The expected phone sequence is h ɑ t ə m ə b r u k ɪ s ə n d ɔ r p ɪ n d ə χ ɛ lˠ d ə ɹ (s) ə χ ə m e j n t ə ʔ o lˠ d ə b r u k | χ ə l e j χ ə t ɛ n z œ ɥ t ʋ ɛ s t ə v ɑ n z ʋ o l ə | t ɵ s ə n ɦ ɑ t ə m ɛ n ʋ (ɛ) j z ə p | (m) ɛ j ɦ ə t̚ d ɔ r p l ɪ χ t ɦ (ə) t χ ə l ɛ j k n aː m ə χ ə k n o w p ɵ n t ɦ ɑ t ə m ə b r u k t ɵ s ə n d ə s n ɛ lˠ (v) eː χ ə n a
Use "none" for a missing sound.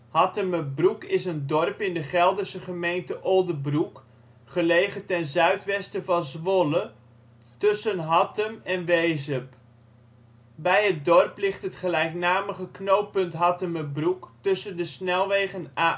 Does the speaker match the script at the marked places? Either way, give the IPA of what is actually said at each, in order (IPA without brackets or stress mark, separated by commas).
s, e, b, ə, ʋ